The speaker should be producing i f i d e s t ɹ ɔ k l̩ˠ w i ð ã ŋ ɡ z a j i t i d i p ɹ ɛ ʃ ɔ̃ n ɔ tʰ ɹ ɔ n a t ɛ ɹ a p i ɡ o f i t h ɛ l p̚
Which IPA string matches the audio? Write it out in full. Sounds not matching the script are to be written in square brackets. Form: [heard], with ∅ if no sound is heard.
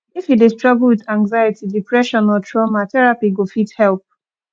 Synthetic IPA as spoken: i f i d e s t ɹ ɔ [ɡ] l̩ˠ w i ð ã ŋ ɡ z a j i t i d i p ɹ ɛ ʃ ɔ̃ n ɔ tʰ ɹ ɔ [m] a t ɛ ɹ a p i ɡ o f i t h ɛ l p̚